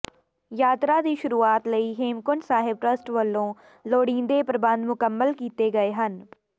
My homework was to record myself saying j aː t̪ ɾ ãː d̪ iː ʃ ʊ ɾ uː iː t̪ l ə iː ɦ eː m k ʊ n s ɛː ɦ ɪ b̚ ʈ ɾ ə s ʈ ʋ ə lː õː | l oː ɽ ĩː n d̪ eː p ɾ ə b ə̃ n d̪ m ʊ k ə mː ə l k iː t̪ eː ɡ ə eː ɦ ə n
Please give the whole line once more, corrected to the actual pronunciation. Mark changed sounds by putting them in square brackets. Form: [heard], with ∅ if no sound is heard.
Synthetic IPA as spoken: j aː t̪ ɾ [aː] d̪ iː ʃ ʊ ɾ uː [aː] t̪ l ə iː ɦ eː m k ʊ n s [aː] ɦ ɪ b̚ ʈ ɾ ə s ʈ ʋ ə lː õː | l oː ɽ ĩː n d̪ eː p ɾ ə b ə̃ n d̪ m ʊ k ə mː ə l k iː t̪ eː ɡ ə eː ɦ ə n